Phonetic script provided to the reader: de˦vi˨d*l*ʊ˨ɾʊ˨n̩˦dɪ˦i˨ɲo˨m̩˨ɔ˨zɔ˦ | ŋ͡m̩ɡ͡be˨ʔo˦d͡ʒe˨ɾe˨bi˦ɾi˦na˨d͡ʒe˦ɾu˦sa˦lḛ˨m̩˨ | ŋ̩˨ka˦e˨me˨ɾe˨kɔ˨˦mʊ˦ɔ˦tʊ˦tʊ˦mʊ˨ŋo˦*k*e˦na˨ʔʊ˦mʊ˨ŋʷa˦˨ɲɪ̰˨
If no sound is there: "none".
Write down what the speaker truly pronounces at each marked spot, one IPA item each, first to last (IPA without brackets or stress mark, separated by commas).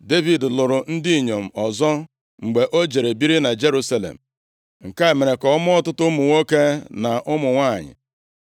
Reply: l, k